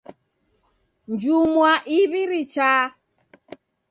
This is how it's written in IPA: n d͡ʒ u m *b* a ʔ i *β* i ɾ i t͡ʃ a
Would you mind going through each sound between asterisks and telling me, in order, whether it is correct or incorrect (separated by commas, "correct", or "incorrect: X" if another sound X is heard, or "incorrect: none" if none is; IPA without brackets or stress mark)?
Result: incorrect: w, correct